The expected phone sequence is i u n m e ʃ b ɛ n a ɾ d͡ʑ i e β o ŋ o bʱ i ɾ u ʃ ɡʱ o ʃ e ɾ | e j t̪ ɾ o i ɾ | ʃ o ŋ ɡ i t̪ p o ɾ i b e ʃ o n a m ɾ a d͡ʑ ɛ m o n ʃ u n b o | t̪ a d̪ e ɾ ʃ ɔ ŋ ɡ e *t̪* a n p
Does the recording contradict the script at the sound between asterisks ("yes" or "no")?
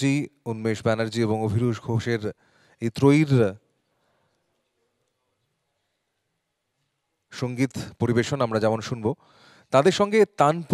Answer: no